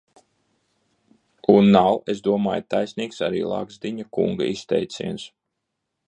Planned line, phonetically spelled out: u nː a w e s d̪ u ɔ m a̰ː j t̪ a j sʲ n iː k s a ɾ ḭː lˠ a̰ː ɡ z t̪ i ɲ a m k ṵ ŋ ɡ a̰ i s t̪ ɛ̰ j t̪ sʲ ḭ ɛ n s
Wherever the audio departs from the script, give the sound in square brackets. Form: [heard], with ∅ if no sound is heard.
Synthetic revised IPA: u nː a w e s d̪ u ɔ m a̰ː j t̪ a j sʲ n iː k s a ɾ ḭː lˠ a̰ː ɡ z [d̪] i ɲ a [∅] k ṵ ŋ ɡ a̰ i s t̪ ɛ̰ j t̪ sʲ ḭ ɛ n s